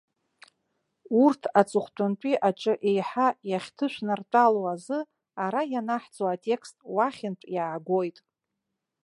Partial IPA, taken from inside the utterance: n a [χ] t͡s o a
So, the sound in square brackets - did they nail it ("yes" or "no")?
no